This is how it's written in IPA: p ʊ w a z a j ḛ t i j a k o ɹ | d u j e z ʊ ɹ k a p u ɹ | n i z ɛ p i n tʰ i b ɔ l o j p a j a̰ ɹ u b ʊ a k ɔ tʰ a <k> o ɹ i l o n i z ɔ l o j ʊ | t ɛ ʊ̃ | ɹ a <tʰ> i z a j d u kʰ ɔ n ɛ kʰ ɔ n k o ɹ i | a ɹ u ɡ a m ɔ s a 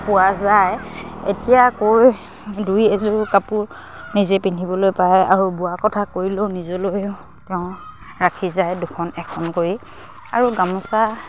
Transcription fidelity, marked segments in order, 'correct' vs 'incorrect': correct, incorrect

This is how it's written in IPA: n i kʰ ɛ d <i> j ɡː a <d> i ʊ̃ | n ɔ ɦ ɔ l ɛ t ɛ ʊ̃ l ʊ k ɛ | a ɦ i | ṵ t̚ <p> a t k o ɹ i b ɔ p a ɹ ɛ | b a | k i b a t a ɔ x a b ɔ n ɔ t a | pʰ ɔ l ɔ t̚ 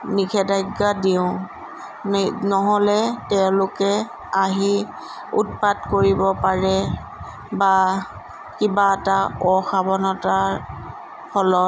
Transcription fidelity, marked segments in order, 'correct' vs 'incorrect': incorrect, correct, correct

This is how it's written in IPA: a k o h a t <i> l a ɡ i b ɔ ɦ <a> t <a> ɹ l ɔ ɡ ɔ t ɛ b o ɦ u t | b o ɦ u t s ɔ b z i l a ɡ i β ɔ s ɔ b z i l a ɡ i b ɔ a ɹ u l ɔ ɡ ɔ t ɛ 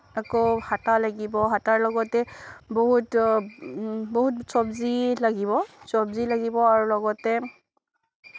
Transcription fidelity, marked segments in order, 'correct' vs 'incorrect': incorrect, correct, correct

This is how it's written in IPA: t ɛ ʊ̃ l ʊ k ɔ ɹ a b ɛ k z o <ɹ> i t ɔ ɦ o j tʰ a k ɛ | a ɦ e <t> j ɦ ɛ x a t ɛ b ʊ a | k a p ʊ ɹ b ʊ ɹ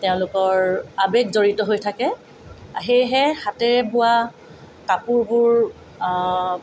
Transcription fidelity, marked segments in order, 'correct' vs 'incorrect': correct, incorrect

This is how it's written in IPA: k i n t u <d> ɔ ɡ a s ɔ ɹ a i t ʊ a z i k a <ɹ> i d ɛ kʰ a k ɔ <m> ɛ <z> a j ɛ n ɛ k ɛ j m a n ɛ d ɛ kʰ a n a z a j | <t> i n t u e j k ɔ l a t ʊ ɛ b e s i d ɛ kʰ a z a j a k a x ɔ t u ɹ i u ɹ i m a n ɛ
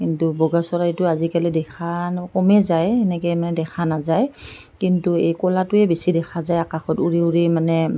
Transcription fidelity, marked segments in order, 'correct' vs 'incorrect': incorrect, incorrect, correct, correct, incorrect

